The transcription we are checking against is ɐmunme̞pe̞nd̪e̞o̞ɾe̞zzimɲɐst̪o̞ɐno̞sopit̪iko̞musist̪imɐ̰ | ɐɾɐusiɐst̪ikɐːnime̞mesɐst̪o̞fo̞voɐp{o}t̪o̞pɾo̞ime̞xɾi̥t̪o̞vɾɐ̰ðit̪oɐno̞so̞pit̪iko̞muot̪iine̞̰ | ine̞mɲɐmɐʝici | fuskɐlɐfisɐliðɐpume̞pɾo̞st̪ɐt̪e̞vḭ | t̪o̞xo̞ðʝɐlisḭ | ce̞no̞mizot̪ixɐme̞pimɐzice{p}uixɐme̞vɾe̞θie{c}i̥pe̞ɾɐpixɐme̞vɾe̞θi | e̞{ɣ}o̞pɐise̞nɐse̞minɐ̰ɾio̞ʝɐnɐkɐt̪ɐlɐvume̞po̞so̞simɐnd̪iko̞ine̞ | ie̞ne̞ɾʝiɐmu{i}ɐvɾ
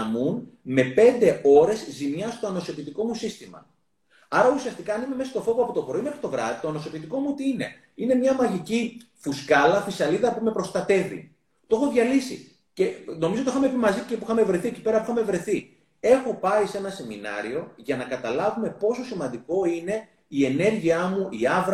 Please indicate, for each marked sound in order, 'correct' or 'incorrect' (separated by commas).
correct, correct, correct, incorrect, correct